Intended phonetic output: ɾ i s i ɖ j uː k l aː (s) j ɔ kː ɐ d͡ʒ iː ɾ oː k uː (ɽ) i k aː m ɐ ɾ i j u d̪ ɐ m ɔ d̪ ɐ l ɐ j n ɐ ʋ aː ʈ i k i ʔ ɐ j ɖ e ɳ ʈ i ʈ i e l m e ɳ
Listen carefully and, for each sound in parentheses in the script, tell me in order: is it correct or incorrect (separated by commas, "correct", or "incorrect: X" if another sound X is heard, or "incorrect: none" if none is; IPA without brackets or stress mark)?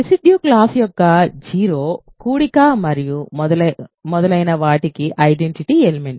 correct, correct